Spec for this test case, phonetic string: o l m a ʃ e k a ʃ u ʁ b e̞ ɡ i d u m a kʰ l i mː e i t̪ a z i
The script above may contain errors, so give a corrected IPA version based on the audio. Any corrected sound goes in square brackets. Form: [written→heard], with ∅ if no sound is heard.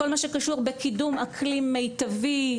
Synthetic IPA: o l m a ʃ e k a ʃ u ʁ b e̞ [ɡ→k] i d u m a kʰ l i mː e [i→j] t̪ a [z→v] i

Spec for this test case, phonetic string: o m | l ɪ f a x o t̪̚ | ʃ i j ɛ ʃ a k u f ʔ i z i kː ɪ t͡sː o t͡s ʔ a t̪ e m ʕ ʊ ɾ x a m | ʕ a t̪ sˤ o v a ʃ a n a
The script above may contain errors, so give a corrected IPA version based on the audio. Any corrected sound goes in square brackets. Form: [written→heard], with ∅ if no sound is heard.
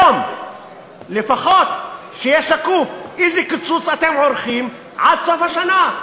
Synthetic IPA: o m | l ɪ f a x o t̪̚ | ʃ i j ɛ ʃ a k u f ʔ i z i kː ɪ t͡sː [o→u] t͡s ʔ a t̪ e m ʕ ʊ ɾ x [a→i] m | ʕ a [t̪→d̪] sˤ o [v→f] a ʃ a n a

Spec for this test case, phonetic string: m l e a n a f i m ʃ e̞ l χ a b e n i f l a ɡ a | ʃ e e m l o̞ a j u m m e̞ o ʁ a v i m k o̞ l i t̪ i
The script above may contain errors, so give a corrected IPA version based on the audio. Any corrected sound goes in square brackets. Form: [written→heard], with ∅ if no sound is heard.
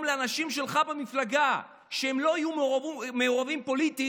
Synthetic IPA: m l e a n a [f→ʃ] i m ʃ e̞ l χ a b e [n→m] i f l a ɡ a | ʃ e e m l o̞ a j u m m e̞ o ʁ a v i m [k→p] o̞ l i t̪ i

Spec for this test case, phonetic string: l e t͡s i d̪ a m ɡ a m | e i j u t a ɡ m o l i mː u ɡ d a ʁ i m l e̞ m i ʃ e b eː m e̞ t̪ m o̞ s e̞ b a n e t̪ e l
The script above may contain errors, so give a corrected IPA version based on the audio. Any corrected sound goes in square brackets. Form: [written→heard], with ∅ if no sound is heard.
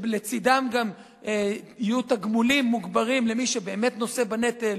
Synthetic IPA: l e t͡s i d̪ a m ɡ a m | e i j u t a ɡ m [o→u] l i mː u ɡ [d→b] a ʁ i m l e̞ m i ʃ e b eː m e̞ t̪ [m→n] o̞ s e̞ b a n e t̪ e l

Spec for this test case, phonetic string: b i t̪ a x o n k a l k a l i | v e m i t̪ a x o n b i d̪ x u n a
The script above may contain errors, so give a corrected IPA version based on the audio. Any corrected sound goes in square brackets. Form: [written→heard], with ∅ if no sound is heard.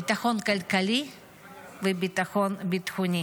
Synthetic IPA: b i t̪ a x o n k a l k a l i | v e [m→b] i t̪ a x o n b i [d̪→t̪] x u n [a→i]

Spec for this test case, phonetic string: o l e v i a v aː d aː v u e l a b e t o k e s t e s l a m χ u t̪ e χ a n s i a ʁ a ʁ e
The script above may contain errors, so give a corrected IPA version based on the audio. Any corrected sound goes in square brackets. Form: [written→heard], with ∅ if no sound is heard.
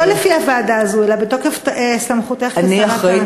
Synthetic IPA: o l e [v→f] i a v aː d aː [v→z] u e l a b e t o k e [s→f] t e s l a m χ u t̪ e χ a n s i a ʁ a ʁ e

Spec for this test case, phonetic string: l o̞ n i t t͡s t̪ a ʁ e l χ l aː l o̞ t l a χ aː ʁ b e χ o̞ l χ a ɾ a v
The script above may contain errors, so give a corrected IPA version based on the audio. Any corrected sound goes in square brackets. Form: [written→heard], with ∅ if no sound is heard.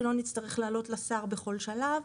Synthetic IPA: l o̞ n i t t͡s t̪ a ʁ e [l→∅] χ l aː l o̞ t l a [χ→s] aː ʁ b e χ o̞ l [χ→ʃ] a [ɾ→l] a v

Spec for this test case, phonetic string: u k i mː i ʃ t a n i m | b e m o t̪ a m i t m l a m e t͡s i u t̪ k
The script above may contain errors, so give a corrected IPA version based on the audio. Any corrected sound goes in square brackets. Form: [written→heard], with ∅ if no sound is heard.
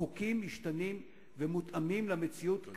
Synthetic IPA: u k i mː i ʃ t a n i m | [b→v] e m [o→u] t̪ a m i [t→∅] m l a m e t͡s i u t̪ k

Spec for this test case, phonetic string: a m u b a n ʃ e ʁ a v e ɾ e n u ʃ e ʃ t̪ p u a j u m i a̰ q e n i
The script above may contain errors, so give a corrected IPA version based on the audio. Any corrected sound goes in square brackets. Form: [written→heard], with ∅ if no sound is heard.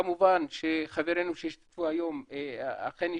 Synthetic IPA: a m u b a n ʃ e [ʁ→χ] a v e ɾ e n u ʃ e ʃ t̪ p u a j [u→o] m [i→e] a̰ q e n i

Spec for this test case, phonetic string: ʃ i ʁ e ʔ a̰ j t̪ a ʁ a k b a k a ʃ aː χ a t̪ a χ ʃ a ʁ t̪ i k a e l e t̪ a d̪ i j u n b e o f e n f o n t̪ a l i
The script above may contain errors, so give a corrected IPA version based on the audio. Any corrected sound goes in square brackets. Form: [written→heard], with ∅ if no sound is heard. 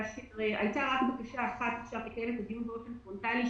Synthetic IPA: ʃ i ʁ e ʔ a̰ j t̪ a ʁ a k b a k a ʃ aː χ a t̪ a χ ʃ a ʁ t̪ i k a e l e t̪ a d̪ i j u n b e o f e n f o n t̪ a l i

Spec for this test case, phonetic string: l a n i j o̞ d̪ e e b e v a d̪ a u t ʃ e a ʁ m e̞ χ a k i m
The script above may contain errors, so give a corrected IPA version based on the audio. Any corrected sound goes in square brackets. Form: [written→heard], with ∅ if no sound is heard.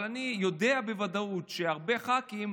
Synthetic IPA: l a n i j o̞ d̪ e [e→a] b e v a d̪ a u t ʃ e a ʁ [m→b] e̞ χ a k i m

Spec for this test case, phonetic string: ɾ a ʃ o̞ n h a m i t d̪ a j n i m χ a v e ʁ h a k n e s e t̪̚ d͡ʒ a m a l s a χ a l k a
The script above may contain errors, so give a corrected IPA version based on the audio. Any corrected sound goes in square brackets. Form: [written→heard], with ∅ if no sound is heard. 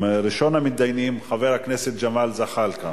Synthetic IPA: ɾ [a→i] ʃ o̞ n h a m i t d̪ a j n i m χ a v e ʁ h a k n e s e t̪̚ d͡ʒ a m a l [s→z] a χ a l k a

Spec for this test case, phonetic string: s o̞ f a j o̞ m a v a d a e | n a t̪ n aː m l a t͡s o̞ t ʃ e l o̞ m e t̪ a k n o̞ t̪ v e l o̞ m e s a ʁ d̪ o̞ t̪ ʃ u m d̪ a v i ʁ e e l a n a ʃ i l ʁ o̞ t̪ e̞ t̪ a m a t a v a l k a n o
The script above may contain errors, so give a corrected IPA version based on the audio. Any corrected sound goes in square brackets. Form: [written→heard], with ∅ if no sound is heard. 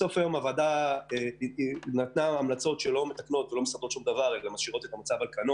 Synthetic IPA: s o̞ f a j o̞ m a v a d a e | n a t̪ n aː m l a t͡s o̞ t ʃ e l o̞ m e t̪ a k n o̞ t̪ v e l o̞ m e s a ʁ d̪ o̞ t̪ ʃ u m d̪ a v [i→a] ʁ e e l a [n→m] a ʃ i [l→∅] ʁ o̞ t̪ e̞ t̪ a m a [t→t͡s] a v a l k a n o

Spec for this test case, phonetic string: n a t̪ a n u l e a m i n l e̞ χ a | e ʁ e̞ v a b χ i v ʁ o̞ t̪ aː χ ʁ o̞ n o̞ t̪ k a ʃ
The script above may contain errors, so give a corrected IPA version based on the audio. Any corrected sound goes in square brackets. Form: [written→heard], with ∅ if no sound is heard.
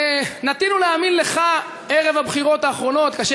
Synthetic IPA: n a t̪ [a→i] n u l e a m i n l e̞ χ a | e ʁ e̞ v a b χ i [v→∅] ʁ o̞ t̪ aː χ ʁ o̞ n o̞ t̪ k a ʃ

